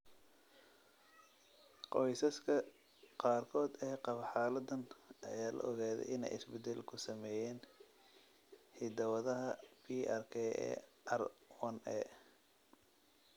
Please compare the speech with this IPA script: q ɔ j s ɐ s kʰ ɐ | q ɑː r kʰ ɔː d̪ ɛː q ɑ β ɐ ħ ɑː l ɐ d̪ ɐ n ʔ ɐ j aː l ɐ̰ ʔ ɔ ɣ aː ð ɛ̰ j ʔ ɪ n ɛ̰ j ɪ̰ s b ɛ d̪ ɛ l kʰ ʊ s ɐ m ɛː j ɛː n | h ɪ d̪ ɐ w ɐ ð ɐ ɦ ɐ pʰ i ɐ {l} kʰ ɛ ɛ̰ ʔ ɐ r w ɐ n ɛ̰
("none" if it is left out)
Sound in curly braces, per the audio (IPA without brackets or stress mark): r